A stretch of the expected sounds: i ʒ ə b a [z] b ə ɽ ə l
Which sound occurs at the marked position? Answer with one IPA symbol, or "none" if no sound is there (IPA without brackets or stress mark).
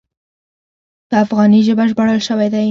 ʒ